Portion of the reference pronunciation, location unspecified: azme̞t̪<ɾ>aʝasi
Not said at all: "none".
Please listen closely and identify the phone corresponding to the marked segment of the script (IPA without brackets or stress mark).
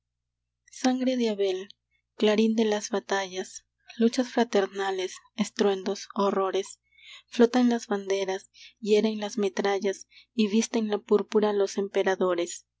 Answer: ɾ